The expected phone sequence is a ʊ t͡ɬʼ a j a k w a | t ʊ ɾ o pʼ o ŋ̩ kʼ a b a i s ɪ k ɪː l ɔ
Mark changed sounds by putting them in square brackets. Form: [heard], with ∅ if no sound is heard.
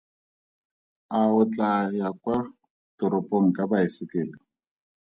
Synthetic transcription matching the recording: a ʊ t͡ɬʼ a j a k w a | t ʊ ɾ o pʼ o ŋ̩ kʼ a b a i s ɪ k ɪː l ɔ